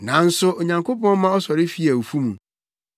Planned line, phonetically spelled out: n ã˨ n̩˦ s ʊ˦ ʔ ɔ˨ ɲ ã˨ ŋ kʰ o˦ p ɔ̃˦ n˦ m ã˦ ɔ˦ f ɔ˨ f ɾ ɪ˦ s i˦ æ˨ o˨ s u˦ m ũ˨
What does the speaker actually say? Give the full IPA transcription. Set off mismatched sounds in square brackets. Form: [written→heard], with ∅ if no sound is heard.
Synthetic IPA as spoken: n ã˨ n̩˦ s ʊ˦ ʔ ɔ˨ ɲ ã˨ ŋ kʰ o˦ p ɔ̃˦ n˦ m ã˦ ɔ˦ [f→s] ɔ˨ [f→∅] ɾ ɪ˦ [s→f] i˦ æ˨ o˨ [s→f] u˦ m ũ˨